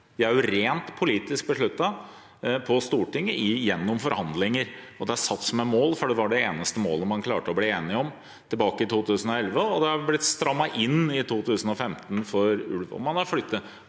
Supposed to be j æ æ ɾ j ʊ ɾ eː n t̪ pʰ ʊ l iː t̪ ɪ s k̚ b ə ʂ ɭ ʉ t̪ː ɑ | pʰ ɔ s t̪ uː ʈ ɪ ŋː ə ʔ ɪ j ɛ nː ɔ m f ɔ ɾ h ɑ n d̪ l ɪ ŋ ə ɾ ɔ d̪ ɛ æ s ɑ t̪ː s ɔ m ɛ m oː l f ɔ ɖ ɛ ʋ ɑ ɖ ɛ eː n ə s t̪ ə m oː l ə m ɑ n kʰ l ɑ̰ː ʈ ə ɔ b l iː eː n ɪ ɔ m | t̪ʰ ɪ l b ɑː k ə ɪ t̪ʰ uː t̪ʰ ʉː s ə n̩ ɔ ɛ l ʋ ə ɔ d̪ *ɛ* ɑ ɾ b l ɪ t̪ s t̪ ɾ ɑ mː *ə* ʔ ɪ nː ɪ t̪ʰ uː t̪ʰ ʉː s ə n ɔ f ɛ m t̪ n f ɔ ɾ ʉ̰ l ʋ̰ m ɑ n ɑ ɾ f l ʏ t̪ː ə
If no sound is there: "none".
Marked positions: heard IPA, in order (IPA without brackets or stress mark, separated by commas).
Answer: ɛ, ɑ